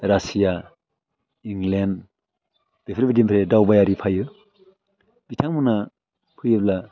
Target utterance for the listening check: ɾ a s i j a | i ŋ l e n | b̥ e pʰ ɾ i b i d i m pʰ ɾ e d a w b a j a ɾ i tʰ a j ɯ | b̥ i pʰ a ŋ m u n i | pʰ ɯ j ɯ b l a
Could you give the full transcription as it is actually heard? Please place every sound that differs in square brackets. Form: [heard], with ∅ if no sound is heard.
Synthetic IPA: ɾ a s i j a | i ŋ l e n | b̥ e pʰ ɾ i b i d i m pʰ ɾ e d a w b a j a ɾ i [pʰ] a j ɯ | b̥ i [tʰ] a ŋ m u n [a] | pʰ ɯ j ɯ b l a